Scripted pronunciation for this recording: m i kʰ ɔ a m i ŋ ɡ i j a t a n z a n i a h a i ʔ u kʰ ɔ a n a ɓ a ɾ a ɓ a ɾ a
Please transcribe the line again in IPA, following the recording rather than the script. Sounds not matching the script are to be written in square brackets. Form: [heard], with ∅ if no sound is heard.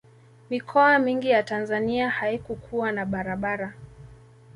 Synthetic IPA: m i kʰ ɔ a m i ŋ ɡ i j a t a n z a n i a h a i [k] u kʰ [u] a n a ɓ a ɾ a ɓ a ɾ a